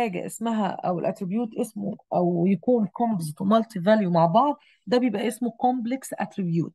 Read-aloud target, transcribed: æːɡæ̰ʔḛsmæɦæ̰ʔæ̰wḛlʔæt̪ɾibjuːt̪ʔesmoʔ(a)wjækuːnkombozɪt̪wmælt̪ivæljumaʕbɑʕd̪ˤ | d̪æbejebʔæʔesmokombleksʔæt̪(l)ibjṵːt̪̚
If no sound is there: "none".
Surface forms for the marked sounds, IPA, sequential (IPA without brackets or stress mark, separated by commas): æ, ɾ